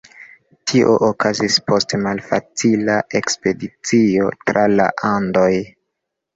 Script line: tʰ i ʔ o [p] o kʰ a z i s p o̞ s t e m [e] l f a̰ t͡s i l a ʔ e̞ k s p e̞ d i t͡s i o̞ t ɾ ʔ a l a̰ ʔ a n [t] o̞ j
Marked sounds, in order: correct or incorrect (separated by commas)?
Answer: incorrect, incorrect, incorrect